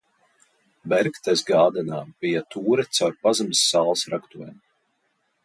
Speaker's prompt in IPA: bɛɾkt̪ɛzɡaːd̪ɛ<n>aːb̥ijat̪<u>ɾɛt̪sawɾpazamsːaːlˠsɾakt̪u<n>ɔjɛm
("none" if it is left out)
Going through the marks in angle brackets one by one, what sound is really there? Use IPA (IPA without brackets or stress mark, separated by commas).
n, uː, none